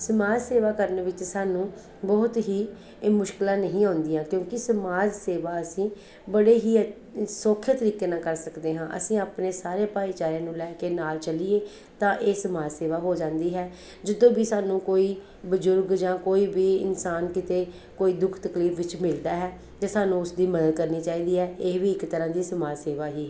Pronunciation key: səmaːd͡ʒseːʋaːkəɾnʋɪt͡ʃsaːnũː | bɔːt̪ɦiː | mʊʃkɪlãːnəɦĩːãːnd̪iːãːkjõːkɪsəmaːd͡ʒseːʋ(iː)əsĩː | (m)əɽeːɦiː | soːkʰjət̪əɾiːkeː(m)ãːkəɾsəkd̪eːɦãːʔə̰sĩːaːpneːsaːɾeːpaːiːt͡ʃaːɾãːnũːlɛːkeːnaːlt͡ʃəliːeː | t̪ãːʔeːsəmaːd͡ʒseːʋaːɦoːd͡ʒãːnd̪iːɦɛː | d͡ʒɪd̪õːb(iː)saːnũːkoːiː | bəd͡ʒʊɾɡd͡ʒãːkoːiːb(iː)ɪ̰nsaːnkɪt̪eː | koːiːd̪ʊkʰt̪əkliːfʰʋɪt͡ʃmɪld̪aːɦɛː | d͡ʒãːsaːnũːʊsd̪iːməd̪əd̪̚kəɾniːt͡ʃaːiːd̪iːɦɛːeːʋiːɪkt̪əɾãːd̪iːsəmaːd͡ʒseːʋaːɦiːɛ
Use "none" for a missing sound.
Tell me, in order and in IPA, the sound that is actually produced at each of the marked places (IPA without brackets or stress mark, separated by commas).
aː, b, n, iː, iː